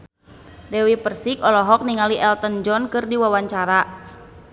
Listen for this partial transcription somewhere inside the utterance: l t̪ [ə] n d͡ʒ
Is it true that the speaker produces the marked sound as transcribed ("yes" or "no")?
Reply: yes